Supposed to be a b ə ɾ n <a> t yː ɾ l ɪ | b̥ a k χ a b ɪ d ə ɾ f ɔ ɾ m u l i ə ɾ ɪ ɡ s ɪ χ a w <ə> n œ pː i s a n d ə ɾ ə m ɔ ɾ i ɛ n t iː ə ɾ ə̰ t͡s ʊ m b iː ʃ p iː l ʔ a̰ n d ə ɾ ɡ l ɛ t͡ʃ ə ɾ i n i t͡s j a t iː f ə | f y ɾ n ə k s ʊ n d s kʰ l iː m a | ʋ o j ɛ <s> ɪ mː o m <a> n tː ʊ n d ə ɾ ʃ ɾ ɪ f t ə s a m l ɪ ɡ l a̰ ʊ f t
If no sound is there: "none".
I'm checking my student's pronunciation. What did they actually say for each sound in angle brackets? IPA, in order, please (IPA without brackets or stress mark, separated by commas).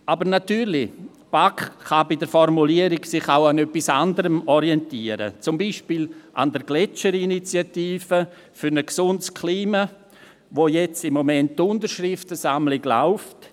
a, a, t͡s, ɛ